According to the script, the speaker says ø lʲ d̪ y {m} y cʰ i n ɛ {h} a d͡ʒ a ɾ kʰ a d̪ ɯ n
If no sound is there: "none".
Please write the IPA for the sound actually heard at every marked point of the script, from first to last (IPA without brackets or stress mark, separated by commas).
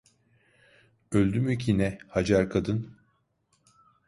m, h